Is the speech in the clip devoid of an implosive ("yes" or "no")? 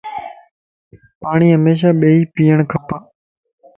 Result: no